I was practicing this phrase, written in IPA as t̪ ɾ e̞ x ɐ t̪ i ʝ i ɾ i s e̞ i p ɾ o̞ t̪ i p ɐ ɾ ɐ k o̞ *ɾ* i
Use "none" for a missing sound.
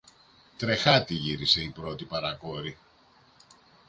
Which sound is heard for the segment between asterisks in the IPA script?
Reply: ɾ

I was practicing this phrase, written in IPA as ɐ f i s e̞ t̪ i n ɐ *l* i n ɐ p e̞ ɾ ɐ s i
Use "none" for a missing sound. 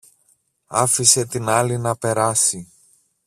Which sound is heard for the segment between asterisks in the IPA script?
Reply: l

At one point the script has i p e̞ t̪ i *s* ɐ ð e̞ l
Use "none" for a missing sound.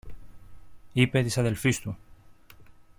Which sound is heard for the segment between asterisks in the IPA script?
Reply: s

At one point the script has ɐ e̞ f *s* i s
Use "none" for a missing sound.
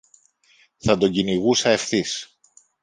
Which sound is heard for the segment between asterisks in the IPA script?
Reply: θ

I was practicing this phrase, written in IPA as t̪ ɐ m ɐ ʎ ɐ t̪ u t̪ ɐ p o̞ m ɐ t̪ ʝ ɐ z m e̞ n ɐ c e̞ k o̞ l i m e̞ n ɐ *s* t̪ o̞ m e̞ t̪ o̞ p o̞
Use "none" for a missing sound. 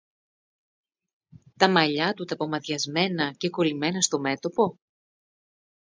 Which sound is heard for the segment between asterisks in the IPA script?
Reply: s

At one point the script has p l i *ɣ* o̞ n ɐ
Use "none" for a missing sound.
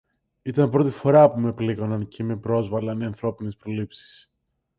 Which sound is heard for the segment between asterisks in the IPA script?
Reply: ɣ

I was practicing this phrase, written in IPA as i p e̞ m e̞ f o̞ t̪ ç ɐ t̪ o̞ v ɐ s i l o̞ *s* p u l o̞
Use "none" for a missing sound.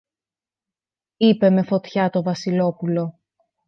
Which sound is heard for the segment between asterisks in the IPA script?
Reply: none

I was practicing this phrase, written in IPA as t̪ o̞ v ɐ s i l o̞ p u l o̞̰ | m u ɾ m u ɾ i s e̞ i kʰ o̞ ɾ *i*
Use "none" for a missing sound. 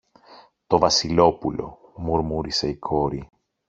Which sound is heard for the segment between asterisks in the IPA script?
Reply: i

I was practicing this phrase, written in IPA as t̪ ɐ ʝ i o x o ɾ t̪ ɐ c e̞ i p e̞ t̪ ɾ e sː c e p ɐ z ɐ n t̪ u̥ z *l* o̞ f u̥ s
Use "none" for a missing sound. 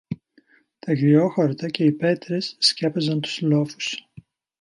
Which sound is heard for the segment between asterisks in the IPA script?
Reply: l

